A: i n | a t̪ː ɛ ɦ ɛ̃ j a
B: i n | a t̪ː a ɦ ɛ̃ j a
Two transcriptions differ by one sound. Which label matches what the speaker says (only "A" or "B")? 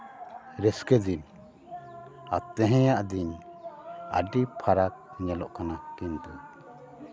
A